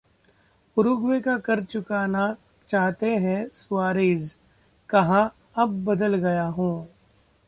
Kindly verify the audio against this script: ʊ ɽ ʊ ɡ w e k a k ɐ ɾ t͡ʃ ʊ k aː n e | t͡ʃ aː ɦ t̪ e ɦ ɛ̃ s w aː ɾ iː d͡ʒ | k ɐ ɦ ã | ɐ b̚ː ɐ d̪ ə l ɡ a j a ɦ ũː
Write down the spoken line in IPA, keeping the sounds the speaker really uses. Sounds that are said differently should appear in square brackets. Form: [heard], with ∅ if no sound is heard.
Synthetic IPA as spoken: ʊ [ɾ] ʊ ɡ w e k a k ɐ ɾ t͡ʃ ʊ k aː n [a] | t͡ʃ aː ɦ t̪ e ɦ ɛ̃ s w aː ɾ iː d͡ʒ | k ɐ ɦ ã | ɐ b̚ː ɐ d̪ ə l ɡ [ɐ] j a ɦ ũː